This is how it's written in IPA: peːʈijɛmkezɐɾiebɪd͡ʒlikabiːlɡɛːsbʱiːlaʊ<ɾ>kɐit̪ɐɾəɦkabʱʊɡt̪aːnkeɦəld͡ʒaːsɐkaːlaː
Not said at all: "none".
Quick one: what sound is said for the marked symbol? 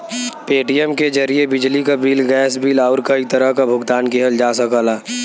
ɾ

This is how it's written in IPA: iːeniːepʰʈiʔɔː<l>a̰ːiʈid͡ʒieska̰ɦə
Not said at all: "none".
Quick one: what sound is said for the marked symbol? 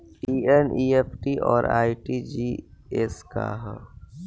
ɾ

